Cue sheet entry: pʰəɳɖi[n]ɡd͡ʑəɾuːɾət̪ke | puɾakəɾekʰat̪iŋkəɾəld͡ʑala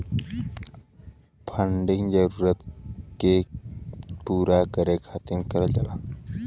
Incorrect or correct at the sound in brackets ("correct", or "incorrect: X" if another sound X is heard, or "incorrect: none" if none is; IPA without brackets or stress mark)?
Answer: incorrect: ŋ